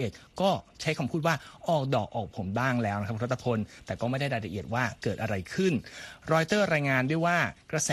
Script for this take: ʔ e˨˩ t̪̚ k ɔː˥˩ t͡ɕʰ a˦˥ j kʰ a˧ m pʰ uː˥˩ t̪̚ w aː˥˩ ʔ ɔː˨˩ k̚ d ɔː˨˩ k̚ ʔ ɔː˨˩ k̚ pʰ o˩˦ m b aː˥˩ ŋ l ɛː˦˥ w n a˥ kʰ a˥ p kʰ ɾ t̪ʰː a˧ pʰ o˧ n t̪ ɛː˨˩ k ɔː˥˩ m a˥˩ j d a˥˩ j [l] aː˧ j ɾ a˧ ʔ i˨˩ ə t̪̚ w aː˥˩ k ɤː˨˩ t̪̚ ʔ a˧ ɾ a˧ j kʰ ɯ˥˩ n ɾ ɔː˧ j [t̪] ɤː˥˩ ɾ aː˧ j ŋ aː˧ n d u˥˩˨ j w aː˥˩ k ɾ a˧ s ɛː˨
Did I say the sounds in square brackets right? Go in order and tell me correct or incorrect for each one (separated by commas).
incorrect, correct